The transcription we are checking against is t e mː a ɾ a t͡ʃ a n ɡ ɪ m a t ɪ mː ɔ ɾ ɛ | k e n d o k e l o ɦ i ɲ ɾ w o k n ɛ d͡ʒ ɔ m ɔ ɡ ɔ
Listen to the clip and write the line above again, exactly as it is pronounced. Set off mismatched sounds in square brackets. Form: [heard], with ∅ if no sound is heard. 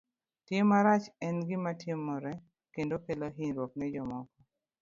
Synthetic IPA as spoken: t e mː a ɾ a t͡ʃ [ɛ] n ɡ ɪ m a t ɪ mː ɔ ɾ ɛ | k e n d o k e l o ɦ i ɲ ɾ w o k n ɛ d͡ʒ ɔ m ɔ [k] ɔ

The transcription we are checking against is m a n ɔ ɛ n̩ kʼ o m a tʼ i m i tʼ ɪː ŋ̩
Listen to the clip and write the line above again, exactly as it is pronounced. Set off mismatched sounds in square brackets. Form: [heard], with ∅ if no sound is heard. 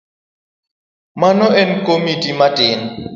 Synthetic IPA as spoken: m a n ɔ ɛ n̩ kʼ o m [i] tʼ i m [a] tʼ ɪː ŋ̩

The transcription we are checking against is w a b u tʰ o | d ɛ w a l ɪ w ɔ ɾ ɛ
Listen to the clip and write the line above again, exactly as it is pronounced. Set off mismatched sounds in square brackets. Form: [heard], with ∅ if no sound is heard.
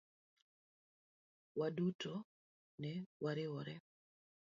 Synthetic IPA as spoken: w a [d] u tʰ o | [n] ɛ w a [ɾ] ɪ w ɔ ɾ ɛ

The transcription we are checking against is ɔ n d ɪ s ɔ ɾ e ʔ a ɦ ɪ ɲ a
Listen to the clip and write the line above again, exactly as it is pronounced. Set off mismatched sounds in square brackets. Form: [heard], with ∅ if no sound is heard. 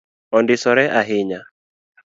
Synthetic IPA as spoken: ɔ n d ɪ s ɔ ɾ [ɛ] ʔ a ɦ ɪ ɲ a

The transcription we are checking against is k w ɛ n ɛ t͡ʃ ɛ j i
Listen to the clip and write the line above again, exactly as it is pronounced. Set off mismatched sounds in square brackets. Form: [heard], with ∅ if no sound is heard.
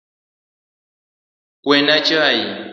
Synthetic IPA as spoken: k w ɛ n [a] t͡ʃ [a] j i

